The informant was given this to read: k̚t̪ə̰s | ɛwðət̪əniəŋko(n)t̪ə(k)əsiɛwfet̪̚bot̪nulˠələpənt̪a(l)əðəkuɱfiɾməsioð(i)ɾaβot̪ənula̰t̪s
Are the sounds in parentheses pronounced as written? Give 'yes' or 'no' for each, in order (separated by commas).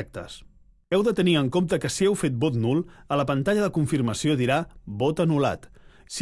no, yes, no, yes